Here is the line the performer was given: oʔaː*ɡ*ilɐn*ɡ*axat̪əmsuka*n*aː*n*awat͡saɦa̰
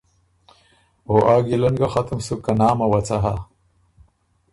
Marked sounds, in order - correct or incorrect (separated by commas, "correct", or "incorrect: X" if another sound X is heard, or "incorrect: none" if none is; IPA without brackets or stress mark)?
correct, correct, correct, incorrect: m